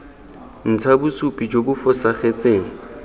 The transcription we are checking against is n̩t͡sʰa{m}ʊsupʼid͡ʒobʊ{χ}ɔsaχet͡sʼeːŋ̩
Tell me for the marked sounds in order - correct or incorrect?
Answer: incorrect, incorrect

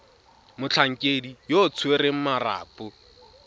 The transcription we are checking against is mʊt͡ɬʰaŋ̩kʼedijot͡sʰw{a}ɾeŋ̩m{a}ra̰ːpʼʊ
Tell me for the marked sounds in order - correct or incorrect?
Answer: incorrect, correct

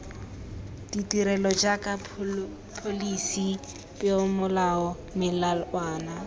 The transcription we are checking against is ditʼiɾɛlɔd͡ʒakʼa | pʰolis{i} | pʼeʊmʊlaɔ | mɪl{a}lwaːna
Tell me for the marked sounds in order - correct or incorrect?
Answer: correct, correct

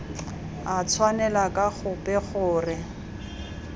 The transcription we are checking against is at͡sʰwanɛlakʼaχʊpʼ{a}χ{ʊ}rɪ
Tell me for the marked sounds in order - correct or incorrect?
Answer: incorrect, incorrect

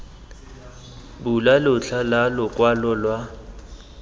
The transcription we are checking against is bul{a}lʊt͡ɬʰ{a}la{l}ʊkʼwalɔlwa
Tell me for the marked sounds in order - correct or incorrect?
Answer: correct, correct, correct

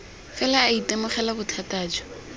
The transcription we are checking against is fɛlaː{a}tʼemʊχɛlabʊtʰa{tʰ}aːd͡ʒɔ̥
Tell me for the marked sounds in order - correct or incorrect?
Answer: incorrect, incorrect

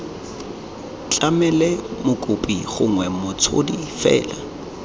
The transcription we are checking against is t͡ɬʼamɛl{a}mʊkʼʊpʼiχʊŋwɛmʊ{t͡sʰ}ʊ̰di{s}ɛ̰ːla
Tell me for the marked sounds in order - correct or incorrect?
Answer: incorrect, correct, incorrect

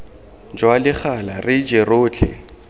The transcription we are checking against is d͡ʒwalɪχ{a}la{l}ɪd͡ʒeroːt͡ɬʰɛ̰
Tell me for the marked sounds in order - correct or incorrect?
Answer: correct, incorrect

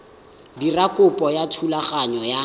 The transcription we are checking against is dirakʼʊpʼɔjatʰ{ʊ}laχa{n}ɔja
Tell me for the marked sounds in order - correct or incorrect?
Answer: incorrect, incorrect

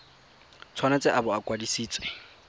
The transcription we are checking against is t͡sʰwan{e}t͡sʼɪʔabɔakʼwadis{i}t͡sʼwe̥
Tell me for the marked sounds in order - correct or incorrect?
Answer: incorrect, incorrect

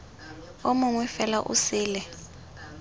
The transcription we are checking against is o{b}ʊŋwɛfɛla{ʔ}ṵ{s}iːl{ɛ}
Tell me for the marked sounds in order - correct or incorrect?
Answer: incorrect, correct, correct, correct

